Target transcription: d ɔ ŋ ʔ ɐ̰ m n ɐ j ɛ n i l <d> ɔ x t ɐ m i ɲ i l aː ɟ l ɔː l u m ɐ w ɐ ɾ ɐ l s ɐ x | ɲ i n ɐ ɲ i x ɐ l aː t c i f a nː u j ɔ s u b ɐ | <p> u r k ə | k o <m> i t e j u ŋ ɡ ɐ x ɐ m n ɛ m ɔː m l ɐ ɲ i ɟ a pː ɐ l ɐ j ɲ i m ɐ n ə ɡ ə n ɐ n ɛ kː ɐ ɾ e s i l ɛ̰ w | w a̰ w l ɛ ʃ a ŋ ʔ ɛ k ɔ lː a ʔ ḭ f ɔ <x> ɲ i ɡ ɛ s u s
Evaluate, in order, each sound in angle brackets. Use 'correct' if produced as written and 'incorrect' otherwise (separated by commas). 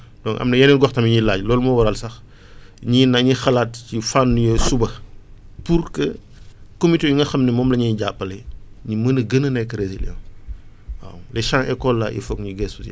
incorrect, correct, correct, incorrect